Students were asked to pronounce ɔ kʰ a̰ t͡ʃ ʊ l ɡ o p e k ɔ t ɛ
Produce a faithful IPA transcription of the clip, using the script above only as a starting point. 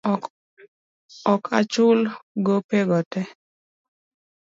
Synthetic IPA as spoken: ɔ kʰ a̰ t͡ʃ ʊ l ɡ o p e ɡ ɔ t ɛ